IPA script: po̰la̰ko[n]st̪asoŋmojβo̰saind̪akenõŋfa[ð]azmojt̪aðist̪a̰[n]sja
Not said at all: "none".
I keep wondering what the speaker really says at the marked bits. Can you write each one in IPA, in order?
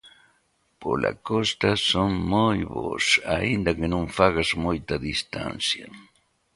none, ɣ, n

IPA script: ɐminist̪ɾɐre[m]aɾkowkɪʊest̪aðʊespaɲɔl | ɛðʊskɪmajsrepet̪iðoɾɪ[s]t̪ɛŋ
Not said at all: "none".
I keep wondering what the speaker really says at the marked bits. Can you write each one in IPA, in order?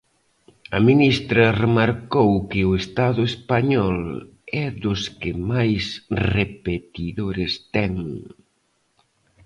m, s

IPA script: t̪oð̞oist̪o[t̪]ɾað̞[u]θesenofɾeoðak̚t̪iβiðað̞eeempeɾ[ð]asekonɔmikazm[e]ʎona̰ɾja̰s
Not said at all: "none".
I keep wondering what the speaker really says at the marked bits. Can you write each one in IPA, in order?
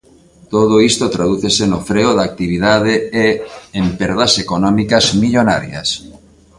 t̪, u, ð, i

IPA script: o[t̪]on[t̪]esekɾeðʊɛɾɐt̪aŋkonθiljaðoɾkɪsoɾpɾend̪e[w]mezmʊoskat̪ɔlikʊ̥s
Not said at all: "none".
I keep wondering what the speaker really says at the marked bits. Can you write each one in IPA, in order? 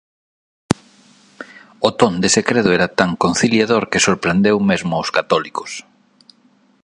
t̪, d̪, w

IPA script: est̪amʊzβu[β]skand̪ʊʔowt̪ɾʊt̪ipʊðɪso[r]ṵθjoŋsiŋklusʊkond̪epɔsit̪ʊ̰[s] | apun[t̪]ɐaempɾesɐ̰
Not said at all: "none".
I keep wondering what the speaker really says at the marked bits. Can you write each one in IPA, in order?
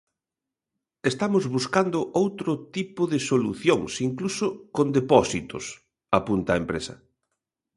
none, l, s, t̪

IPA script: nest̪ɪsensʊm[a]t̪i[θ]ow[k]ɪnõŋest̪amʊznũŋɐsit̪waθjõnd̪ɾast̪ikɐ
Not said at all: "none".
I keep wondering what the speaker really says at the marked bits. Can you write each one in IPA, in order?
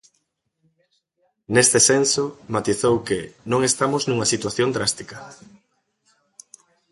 a, θ, k

